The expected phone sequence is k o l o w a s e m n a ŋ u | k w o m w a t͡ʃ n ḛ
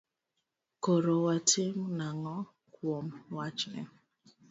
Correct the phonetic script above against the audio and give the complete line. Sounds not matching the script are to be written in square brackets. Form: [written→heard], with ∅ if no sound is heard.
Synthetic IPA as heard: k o [l→ɾ] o w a [s→t] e m n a ŋ [u→ɔ] | k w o m w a t͡ʃ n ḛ